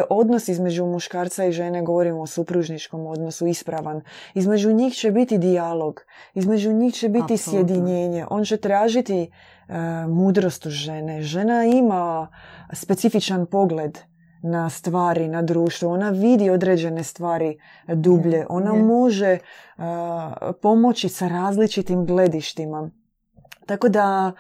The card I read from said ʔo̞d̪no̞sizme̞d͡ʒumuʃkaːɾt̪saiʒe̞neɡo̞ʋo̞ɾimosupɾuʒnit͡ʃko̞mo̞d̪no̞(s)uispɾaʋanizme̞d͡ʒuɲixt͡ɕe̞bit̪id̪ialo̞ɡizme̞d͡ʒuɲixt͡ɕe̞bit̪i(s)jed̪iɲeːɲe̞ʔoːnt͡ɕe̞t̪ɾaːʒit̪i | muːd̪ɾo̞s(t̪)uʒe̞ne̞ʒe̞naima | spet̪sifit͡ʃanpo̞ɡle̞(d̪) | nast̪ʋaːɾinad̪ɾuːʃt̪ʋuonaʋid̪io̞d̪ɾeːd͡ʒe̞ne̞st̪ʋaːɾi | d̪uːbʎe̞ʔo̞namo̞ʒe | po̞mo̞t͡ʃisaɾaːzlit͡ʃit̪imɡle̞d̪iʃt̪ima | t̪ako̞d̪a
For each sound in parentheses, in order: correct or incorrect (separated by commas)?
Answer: correct, correct, correct, correct